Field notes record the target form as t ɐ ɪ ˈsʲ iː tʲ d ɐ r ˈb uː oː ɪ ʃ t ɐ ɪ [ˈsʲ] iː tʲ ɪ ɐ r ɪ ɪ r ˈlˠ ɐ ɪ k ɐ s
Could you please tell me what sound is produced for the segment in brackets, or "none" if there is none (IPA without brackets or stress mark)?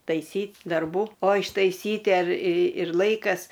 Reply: sʲ